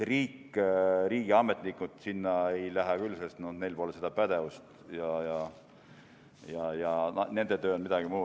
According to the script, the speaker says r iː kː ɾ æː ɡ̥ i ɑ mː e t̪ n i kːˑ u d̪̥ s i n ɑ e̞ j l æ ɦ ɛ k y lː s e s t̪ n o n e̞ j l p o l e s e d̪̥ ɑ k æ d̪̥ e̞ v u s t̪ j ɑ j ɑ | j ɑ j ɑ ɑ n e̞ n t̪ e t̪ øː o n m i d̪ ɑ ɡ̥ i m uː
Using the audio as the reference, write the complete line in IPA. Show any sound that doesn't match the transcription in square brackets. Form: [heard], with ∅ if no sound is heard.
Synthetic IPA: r iː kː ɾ [iː] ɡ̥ i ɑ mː e t̪ n i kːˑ u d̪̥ s i [nː] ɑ e̞ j l æ ɦ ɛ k y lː s e s t̪ n o n e̞ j l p o l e s e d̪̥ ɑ [p] æ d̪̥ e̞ v u s t̪ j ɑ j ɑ | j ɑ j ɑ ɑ n e̞ n [d̪] e t̪ øː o n m i d̪ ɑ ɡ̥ i m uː